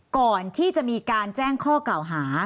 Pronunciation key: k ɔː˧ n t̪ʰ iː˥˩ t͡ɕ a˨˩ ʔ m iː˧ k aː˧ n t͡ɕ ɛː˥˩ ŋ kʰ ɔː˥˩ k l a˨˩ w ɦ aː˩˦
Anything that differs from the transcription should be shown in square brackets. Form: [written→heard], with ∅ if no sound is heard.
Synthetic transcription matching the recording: k [ɔː˧→ɔː˨˩] n t̪ʰ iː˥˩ t͡ɕ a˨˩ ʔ m iː˧ k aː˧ n t͡ɕ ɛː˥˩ ŋ kʰ ɔː˥˩ k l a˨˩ w ɦ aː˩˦